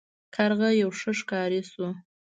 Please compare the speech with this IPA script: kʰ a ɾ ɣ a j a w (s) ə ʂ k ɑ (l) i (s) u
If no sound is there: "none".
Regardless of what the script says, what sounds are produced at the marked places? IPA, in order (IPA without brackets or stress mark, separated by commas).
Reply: ʂ, ɾ, s